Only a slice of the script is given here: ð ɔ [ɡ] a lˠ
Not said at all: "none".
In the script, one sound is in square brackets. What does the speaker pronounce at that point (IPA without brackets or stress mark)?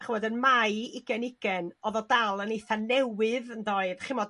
d